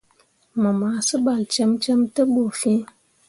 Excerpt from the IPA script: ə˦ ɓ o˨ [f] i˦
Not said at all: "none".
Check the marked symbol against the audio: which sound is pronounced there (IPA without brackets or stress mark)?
f